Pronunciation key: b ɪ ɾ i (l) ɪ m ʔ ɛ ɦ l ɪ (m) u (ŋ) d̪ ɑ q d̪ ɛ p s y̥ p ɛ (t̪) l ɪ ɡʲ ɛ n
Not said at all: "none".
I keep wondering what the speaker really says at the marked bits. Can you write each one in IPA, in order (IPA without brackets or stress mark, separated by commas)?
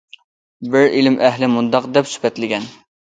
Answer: l, m, n, t̪